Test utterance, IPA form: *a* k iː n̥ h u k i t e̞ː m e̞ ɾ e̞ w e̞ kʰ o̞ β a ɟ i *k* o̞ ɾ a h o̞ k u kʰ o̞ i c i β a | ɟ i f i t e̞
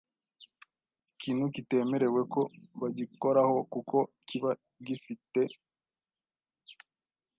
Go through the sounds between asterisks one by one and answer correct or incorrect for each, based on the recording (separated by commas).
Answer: incorrect, correct